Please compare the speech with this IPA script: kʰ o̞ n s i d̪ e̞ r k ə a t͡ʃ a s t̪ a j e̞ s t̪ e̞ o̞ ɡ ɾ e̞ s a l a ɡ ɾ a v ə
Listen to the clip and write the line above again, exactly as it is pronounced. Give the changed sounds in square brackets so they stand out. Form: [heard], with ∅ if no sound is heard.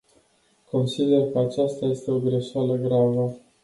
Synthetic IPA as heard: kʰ o̞ n s i d̪ e̞ r k ə a t͡ʃ a s t̪ a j e̞ s t̪ e̞ o̞ ɡ ɾ e̞ [ʃ] a l [ə] ɡ ɾ a v ə